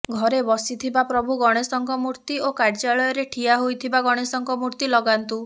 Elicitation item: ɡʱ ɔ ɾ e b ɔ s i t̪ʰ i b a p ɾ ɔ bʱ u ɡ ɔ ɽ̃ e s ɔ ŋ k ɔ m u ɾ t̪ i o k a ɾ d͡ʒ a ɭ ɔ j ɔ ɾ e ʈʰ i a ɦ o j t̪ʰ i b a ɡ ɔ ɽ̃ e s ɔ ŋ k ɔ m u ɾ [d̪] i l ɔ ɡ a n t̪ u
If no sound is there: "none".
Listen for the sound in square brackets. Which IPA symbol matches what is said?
t̪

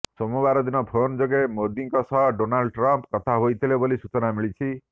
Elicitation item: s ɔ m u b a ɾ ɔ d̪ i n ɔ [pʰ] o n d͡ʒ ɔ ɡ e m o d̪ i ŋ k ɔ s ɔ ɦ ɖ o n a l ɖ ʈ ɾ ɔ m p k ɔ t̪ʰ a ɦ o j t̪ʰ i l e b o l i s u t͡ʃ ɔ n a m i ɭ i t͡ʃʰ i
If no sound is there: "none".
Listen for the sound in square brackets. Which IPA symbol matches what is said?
pʰ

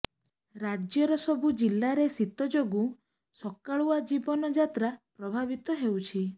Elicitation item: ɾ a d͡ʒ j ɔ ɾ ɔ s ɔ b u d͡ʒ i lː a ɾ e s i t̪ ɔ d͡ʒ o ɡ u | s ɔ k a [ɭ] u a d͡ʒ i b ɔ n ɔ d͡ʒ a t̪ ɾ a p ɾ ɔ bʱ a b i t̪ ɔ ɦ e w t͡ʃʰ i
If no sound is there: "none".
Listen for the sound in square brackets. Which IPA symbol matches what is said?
ɭ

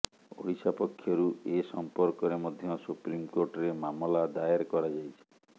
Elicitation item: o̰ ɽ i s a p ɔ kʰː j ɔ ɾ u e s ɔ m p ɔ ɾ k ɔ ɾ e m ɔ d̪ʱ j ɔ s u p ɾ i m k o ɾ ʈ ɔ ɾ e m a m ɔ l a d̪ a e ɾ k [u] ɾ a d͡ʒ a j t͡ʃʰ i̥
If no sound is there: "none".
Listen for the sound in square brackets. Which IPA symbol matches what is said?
ɔ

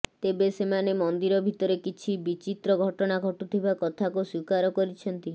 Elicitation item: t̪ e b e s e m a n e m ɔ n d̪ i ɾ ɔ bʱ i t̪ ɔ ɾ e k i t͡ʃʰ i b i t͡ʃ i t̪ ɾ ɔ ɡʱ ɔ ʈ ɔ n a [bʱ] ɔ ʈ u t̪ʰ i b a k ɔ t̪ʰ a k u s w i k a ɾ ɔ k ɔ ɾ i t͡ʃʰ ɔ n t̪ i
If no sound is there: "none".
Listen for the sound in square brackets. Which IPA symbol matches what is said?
ɡʱ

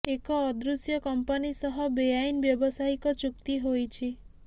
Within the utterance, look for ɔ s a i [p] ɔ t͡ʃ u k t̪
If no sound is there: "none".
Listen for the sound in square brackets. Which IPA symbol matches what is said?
k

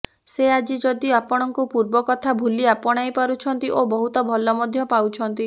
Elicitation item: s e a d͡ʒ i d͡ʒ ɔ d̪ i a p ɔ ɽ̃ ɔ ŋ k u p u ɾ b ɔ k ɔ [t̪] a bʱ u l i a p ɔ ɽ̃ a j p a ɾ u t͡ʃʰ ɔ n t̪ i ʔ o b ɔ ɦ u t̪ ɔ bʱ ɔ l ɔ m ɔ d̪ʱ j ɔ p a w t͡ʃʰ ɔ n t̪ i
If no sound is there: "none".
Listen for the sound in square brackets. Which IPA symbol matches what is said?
t̪ʰ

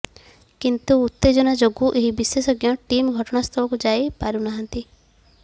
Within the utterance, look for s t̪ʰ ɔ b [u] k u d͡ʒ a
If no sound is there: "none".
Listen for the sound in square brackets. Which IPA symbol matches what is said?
ɔ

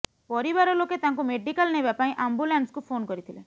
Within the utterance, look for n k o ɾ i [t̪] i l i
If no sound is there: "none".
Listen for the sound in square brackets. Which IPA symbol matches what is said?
t̪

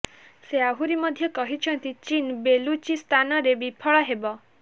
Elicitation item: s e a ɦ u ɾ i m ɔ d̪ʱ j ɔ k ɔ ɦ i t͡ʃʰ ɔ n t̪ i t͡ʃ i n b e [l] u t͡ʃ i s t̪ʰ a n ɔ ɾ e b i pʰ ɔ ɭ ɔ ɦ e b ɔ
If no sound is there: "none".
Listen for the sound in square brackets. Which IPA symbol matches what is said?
l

